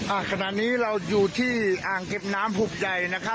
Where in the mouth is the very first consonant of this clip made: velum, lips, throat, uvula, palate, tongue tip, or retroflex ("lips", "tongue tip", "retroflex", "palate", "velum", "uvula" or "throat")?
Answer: throat